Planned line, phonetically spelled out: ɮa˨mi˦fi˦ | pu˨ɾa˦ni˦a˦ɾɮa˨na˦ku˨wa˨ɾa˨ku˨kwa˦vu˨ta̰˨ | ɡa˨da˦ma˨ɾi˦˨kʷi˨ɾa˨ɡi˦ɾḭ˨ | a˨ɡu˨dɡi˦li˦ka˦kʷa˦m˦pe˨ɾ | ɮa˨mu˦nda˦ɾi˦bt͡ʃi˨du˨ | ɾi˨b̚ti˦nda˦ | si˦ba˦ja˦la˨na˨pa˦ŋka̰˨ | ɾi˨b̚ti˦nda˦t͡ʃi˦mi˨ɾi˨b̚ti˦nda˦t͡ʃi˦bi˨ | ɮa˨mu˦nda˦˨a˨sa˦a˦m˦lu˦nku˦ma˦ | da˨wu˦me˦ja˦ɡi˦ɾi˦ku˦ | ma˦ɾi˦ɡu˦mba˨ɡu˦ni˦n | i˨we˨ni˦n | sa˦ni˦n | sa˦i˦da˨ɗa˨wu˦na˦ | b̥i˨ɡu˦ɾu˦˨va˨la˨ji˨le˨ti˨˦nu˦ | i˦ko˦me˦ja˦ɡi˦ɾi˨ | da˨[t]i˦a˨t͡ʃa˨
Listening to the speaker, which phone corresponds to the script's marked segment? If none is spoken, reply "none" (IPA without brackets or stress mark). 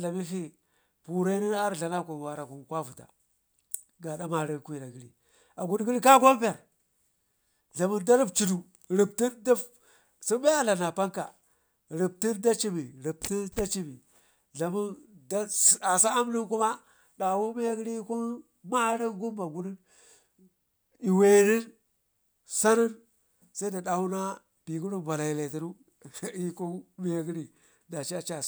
t͡ʃ